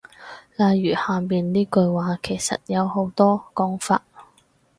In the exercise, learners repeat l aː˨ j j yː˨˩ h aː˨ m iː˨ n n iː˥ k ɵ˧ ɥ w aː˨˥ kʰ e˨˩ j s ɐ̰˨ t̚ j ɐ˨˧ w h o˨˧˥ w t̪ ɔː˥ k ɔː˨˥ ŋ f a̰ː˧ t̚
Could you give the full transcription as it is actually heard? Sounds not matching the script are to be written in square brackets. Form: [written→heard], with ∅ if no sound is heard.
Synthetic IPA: l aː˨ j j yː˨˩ h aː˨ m iː˨ n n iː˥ k ɵ˧ ɥ w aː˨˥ kʰ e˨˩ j s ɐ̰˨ t̚ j ɐ˨˧ w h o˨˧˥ w t̪ ɔː˥ k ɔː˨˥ ŋ f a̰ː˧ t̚